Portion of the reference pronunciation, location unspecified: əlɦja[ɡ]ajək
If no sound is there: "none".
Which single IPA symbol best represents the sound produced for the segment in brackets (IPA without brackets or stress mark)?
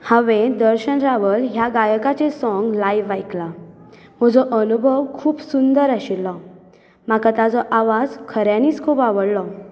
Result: ɡ